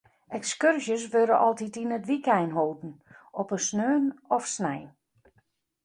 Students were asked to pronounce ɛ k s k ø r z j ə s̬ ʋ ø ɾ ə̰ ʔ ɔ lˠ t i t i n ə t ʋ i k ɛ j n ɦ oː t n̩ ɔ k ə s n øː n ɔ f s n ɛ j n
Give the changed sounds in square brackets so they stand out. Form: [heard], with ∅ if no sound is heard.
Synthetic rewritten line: ɛ k s k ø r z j ə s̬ ʋ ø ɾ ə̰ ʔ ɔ lˠ t i t i n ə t ʋ i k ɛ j n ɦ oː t n̩ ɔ [p] ə s n øː n ɔ f s n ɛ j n